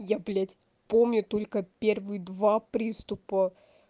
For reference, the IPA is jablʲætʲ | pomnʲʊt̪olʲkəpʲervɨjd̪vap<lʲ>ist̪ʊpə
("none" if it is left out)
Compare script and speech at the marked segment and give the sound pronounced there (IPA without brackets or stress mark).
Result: ɾʲ